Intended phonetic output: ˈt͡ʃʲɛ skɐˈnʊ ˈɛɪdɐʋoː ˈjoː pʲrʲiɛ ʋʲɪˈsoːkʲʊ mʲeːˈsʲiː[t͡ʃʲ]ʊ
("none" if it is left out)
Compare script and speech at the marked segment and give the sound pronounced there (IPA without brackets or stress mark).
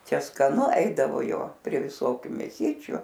t͡ʃʲ